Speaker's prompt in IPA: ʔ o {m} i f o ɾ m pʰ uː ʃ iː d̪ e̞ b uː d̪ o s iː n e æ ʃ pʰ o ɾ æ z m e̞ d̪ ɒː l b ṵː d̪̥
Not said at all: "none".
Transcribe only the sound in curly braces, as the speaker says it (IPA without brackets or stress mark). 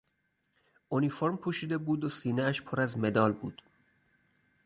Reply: n